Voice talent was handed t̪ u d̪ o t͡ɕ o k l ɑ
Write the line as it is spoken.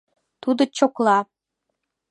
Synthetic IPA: t̪ u d̪ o t͡ɕ o k l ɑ